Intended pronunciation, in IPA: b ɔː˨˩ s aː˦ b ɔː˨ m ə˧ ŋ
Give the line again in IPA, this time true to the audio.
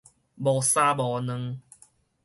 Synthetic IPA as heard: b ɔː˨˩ s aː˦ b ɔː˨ n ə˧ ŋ